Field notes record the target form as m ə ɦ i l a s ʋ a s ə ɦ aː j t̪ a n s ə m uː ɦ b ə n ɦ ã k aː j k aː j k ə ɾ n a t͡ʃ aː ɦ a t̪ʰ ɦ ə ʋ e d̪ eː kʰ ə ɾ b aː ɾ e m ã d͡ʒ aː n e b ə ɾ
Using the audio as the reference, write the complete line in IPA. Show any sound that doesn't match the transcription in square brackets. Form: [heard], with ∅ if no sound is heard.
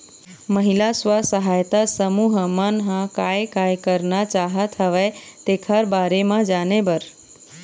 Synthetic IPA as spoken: m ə ɦ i l a s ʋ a s ə ɦ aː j t̪ a [∅] s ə m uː ɦ [m] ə n ɦ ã k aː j k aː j k ə ɾ n a t͡ʃ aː ɦ [ə] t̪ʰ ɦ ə ʋ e [t̪] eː kʰ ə ɾ b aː ɾ e m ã d͡ʒ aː n e b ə ɾ